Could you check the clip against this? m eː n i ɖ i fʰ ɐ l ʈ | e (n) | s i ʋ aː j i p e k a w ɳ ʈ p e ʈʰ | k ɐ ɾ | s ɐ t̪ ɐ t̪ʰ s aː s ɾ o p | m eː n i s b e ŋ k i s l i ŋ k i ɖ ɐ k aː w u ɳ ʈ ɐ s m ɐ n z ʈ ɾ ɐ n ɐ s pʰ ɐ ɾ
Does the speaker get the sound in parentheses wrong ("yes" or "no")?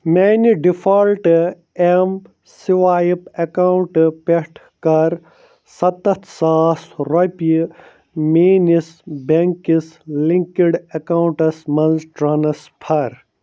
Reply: yes